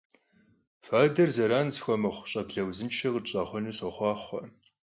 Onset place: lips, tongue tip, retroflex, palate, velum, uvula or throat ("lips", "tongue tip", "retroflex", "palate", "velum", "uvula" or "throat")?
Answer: lips